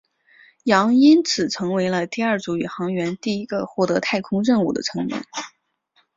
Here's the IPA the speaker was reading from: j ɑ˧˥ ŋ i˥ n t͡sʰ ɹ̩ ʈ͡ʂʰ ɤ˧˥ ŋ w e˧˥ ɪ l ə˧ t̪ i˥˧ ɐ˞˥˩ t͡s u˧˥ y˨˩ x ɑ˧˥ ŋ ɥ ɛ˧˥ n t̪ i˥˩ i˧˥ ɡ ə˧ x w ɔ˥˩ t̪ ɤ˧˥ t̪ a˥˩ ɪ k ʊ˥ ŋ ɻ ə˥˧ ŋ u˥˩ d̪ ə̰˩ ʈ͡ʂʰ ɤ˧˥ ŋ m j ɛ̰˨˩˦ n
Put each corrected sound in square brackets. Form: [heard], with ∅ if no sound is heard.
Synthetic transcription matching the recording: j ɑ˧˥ ŋ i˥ n t͡sʰ ɹ̩ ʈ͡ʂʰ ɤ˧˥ ŋ w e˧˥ ɪ l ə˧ t̪ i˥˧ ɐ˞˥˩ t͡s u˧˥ y˨˩ x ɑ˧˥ ŋ ɥ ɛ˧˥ n t̪ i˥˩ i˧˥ ɡ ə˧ x w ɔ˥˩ t̪ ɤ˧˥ [t̪ʰ] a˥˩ ɪ [kʰ] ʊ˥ ŋ ɻ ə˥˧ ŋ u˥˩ d̪ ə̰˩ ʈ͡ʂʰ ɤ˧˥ ŋ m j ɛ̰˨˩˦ n